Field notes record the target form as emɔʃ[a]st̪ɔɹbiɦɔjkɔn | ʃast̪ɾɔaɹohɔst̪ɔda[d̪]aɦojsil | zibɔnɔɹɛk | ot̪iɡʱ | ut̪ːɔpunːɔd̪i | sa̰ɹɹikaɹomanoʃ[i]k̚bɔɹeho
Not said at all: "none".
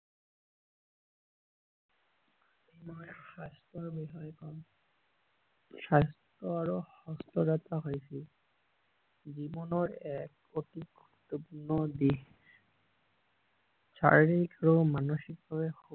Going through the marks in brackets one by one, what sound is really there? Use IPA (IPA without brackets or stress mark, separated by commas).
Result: a, t̪, i